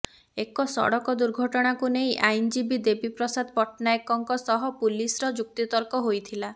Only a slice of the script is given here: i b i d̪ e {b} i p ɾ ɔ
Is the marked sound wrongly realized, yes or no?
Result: no